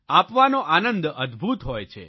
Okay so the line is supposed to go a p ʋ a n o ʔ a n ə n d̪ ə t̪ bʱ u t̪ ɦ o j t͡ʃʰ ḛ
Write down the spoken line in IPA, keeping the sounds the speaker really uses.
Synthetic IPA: a p ʋ a n o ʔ a n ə n d̪ ə d̪ bʱ u t̪ ɦ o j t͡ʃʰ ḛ